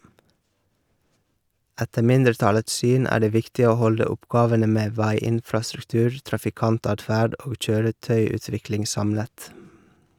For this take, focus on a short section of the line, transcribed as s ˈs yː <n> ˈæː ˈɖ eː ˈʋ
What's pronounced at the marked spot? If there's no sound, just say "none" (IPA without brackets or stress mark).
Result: n